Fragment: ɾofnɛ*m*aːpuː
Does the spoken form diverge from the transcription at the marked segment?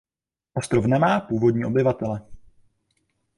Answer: no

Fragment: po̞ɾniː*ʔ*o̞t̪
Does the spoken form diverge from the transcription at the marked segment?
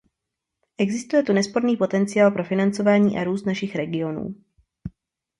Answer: yes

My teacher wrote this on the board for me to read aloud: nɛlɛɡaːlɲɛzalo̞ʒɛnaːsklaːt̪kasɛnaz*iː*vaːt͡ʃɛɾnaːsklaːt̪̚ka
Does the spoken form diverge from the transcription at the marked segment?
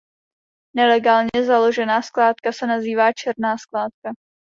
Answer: no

